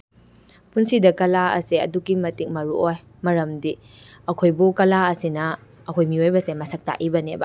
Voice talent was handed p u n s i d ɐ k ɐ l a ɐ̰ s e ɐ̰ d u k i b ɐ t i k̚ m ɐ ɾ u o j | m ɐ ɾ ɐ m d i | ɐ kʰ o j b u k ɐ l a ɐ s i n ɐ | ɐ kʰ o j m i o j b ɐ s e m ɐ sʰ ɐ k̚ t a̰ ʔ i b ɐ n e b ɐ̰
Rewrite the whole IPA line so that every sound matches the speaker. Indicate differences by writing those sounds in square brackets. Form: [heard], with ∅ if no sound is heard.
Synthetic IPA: p u n s i d ɐ k ɐ l a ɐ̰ s e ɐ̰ d u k i [m] ɐ t i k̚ m ɐ ɾ u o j | m ɐ ɾ ɐ m d i | ɐ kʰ o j b u k ɐ l a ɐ s i n ɐ | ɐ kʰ o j m i o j b ɐ s e m ɐ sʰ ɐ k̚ t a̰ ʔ i b ɐ n e b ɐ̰